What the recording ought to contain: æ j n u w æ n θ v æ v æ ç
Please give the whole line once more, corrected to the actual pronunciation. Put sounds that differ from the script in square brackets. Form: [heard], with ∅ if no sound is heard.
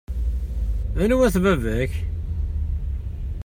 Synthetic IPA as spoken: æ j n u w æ [∅] θ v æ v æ ç